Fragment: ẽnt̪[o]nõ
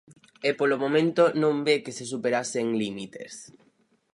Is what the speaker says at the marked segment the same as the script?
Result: yes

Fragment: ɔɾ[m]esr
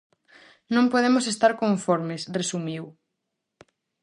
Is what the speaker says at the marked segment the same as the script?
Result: yes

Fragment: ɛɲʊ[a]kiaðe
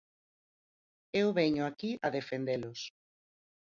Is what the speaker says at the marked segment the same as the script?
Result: yes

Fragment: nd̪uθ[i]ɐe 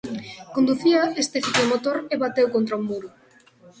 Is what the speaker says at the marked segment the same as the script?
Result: yes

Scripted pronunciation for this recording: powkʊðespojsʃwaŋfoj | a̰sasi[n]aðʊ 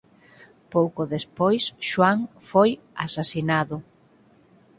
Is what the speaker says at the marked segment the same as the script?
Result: yes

